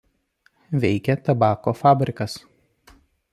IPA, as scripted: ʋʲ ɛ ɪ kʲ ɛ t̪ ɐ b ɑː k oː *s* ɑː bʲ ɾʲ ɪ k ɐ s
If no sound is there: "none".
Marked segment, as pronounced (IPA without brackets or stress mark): f